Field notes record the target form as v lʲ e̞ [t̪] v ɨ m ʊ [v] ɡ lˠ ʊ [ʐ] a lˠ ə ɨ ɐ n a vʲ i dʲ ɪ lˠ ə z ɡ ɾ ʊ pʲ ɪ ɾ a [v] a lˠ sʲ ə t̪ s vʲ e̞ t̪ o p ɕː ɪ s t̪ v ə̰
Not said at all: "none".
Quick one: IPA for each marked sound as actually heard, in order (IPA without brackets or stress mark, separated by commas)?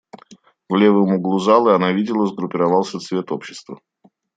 none, none, z, v